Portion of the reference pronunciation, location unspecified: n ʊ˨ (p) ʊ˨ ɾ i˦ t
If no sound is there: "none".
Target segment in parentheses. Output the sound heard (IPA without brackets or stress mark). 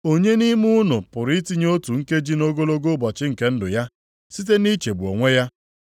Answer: p